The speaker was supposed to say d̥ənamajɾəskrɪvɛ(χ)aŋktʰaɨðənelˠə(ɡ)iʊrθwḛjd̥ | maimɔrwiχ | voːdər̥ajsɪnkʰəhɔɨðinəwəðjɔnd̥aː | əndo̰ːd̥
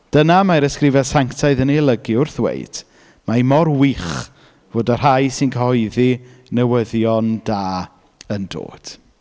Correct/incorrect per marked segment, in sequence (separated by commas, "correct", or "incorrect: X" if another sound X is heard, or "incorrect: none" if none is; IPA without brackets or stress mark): incorrect: s, correct